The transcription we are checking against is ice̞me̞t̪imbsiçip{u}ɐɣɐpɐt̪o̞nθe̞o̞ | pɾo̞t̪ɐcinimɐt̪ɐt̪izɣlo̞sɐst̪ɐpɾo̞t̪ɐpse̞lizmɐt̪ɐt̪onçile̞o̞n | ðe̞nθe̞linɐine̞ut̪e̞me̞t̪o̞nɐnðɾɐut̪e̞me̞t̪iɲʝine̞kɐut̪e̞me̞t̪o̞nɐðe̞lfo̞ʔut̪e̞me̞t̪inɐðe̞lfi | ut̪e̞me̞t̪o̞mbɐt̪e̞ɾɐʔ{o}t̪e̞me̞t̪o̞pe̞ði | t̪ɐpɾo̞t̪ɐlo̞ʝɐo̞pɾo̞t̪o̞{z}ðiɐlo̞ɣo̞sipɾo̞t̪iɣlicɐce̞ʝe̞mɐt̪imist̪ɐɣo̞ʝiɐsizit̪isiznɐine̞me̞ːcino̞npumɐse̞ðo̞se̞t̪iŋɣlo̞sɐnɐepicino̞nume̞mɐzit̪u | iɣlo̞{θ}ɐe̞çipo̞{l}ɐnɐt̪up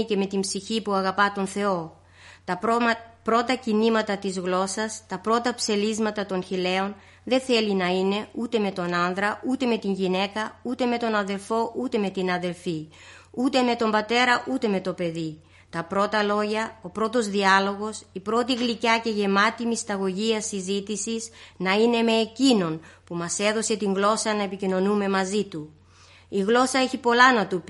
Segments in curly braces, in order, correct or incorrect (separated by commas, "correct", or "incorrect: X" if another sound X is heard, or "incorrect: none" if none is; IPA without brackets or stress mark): correct, incorrect: u, correct, incorrect: s, correct